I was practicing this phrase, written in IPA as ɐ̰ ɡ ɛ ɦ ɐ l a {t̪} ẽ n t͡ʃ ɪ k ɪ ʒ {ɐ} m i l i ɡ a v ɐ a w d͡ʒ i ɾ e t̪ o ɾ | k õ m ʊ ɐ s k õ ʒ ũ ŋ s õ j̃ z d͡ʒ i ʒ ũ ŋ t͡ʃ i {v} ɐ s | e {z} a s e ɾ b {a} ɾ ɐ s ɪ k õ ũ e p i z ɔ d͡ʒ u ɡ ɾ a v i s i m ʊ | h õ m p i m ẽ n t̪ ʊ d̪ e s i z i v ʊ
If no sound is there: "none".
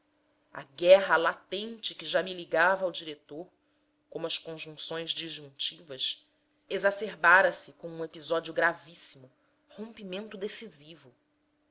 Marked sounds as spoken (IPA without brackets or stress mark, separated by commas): t̪, a, v, z, a